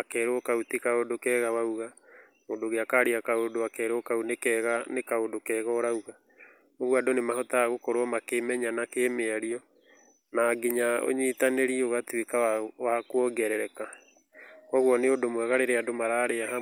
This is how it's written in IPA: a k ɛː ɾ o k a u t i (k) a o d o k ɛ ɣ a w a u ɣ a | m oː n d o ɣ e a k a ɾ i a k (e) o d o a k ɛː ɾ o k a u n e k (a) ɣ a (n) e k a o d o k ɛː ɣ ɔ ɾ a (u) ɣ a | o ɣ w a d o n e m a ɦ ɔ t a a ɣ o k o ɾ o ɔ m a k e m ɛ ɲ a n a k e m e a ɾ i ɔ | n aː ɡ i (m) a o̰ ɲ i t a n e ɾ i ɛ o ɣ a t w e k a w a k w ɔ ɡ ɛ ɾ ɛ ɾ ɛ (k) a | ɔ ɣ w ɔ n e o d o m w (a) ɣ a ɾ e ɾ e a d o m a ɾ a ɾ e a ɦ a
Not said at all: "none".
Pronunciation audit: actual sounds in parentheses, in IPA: k, a, ɛ, n, u, ɲ, k, ɛ

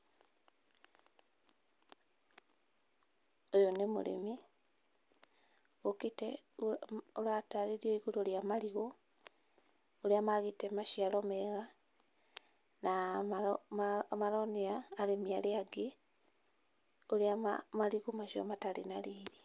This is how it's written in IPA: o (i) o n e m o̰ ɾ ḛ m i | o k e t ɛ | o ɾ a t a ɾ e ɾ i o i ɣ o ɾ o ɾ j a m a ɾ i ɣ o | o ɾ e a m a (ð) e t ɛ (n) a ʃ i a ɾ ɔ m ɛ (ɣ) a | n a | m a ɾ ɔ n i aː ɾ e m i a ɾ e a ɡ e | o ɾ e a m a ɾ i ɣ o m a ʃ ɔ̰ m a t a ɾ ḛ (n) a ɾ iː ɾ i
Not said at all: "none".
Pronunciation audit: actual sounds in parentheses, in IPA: j, ɣ, m, ɣ, n

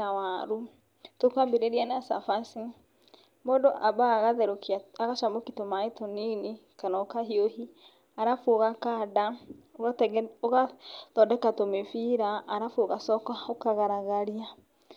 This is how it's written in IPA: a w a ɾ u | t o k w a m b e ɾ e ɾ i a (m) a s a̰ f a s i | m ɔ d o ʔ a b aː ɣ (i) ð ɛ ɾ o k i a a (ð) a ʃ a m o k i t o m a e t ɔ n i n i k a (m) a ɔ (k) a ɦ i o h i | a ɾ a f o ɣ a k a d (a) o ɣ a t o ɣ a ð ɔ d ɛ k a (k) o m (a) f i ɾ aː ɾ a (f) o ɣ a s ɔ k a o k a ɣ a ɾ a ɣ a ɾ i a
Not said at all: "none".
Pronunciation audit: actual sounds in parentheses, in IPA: n, a, ɣ, n, k, a, t, e, f

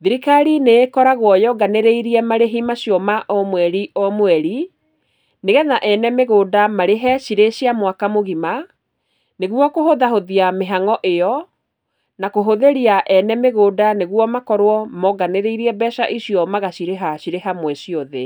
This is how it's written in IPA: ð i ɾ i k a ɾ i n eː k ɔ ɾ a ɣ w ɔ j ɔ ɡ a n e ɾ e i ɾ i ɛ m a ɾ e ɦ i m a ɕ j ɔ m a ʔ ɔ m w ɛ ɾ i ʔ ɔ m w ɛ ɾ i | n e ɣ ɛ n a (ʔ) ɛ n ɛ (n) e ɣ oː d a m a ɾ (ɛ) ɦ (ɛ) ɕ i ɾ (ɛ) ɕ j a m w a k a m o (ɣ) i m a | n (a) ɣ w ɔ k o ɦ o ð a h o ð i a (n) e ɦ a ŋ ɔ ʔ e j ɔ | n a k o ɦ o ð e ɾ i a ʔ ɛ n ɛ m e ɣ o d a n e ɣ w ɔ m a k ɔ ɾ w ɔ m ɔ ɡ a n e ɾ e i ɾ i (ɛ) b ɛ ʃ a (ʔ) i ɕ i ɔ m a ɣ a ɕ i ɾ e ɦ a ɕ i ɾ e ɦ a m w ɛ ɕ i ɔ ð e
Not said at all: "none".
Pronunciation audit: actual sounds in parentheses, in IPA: ʔ, m, e, ɛ, e, ɣ, e, m, ɛ, ʔ

